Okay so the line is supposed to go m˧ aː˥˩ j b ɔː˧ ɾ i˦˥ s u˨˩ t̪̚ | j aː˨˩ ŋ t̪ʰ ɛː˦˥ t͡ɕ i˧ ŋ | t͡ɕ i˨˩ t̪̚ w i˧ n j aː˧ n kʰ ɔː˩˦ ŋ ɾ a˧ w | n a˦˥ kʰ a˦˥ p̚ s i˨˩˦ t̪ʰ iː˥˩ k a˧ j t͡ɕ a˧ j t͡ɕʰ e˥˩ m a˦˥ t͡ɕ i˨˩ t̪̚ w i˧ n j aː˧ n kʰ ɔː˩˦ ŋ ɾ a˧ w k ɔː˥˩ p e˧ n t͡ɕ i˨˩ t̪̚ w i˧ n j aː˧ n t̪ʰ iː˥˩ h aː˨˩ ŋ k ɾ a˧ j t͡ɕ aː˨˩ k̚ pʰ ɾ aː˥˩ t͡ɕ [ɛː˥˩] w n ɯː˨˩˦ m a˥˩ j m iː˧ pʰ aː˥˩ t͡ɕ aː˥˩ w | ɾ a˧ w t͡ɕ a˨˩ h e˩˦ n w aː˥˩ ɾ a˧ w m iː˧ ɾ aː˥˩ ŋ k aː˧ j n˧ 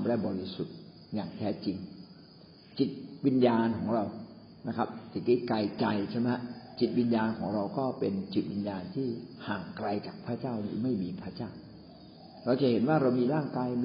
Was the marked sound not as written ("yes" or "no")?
yes